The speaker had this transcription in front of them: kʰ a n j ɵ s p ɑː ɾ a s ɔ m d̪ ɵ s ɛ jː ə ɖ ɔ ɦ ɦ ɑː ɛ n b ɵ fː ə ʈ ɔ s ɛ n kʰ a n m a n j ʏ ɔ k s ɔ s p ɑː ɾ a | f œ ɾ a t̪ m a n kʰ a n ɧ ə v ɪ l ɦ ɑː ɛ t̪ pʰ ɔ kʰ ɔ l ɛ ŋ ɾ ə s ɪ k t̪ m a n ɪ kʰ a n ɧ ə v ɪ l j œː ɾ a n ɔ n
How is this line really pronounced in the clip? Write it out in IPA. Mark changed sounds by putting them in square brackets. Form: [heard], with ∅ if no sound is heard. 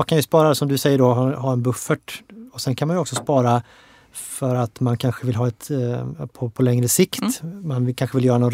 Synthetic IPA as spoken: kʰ a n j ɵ s p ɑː ɾ a s ɔ m d̪ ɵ s ɛ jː ə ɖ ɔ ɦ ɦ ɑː ɛ n b ɵ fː ə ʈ ɔ s ɛ n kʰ a n m a n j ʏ ɔ k s ɔ s p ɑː ɾ a | f œ ɾ a t̪ m a n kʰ a n ɧ ə v ɪ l ɦ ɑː ɛ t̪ pʰ ɔ [pʰ] ɔ l ɛ ŋ ɾ ə s ɪ k t̪ m a n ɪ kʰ a n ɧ ə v ɪ l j œː ɾ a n ɔ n